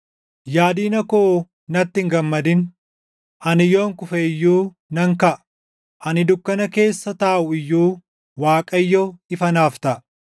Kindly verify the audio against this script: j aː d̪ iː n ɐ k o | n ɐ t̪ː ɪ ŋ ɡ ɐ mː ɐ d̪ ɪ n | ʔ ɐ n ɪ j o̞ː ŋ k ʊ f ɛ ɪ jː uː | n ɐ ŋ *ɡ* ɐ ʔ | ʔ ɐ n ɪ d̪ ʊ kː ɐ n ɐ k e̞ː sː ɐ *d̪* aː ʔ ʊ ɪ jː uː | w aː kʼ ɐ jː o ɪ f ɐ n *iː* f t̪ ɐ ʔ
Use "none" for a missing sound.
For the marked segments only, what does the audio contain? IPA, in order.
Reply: k, t̪, aː

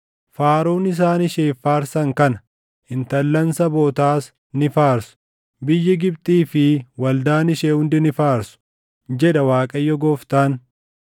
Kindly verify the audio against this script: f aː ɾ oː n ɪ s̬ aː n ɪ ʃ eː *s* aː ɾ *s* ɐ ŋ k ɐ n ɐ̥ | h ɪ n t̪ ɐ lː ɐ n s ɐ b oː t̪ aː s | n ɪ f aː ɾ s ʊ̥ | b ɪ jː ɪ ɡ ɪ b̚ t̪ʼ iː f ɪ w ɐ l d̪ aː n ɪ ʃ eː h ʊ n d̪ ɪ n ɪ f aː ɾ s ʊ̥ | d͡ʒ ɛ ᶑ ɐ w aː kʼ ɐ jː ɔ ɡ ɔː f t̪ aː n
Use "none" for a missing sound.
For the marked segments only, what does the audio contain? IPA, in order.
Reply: f, s

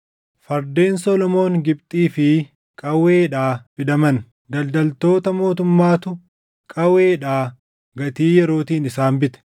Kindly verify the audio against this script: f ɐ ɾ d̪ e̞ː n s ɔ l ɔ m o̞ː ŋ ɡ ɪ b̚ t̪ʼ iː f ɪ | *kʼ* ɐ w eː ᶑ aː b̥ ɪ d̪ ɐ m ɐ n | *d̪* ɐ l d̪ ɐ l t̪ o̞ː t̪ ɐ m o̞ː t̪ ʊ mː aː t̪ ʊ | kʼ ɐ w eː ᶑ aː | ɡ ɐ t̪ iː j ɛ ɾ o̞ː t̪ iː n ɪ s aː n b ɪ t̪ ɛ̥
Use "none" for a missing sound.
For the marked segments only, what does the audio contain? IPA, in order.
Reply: kʼ, d̪

